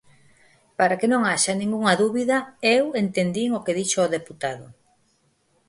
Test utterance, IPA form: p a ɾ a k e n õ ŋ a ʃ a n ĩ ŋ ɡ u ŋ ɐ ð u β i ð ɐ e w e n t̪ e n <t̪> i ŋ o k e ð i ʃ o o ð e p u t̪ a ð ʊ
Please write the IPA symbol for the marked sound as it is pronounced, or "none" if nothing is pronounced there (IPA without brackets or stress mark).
d̪